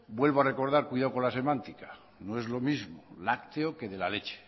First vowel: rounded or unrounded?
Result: unrounded